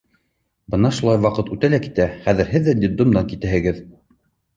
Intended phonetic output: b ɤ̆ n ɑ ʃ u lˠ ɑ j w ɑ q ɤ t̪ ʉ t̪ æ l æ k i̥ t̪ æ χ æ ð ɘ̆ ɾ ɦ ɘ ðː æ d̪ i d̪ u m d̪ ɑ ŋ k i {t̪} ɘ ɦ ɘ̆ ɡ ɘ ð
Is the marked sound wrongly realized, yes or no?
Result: no